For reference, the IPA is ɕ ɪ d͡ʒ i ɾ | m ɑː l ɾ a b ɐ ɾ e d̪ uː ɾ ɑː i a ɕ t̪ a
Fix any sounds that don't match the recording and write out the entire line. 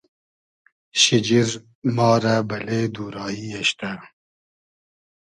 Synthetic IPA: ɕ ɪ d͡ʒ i ɾ | m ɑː ɾ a b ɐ l e d̪ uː ɾ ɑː i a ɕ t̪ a